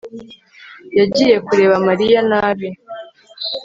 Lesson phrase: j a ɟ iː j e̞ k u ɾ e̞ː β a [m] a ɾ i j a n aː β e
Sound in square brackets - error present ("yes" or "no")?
no